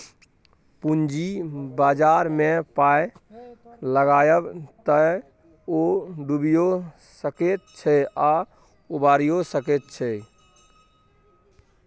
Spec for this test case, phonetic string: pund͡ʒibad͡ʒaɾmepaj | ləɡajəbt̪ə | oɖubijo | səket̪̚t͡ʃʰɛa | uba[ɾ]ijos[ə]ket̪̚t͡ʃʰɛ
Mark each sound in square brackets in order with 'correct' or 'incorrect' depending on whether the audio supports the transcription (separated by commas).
correct, correct